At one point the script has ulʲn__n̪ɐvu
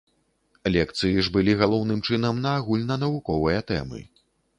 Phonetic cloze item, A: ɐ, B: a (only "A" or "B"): A